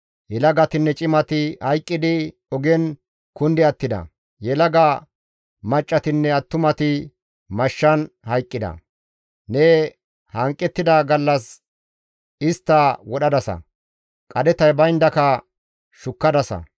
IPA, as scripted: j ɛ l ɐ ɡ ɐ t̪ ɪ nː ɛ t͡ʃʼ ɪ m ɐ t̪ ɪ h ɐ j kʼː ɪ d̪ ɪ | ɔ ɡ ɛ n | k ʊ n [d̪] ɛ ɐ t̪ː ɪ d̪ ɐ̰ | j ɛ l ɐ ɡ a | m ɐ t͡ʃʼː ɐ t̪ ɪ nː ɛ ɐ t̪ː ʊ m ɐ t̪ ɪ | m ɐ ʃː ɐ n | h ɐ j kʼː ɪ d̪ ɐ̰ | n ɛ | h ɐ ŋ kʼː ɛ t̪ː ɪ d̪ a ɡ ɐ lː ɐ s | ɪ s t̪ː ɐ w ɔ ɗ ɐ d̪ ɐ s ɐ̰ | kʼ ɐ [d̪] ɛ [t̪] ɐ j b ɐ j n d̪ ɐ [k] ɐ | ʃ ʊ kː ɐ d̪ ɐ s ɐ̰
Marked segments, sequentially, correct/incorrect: correct, correct, correct, correct

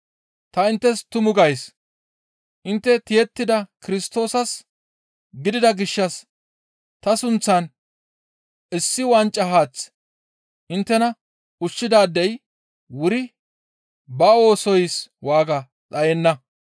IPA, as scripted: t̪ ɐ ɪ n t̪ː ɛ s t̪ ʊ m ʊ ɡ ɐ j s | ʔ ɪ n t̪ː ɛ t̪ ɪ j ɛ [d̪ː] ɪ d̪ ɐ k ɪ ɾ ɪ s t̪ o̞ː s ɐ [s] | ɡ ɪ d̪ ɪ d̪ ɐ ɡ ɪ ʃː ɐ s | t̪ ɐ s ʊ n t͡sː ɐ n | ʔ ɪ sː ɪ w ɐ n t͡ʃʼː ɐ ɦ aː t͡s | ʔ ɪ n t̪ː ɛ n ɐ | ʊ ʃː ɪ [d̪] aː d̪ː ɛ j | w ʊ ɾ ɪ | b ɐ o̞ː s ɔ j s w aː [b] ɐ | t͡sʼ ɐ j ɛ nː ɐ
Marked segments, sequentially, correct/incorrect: incorrect: t̪ː, correct, correct, incorrect: ɡ

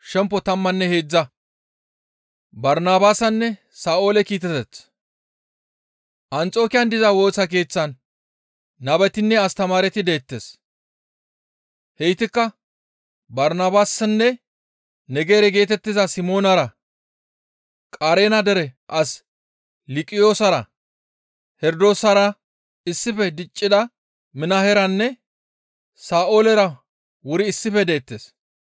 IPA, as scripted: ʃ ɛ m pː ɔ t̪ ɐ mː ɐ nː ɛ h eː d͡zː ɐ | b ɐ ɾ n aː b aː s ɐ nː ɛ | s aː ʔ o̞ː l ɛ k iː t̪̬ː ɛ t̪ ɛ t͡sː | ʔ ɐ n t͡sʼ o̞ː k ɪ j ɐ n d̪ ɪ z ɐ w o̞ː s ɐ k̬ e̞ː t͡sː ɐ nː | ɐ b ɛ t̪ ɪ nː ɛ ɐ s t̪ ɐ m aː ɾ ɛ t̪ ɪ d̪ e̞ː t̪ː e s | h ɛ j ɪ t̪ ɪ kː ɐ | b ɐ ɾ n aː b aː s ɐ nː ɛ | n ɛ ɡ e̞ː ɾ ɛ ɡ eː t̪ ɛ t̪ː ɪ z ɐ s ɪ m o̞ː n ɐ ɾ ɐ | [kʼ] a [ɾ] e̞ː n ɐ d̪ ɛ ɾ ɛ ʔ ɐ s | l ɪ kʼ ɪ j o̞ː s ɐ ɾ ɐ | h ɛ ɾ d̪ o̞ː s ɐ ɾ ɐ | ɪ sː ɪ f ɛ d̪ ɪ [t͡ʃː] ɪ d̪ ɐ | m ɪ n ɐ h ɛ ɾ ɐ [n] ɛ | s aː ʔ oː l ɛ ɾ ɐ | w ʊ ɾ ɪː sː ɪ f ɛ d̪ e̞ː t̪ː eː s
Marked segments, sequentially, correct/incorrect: correct, correct, incorrect: t͡ʃʼː, incorrect: nː

